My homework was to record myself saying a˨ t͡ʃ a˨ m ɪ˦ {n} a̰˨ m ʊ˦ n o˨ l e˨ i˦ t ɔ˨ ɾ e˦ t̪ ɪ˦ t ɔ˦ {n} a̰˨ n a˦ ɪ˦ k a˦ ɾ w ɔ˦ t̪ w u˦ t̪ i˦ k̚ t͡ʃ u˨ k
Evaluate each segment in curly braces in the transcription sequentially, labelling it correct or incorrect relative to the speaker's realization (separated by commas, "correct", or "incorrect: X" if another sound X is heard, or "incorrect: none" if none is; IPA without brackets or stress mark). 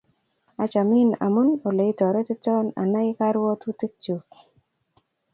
correct, correct